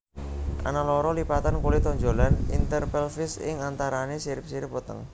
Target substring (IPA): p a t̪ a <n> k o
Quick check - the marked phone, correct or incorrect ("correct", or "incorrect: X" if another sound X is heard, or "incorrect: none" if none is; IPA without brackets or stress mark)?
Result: correct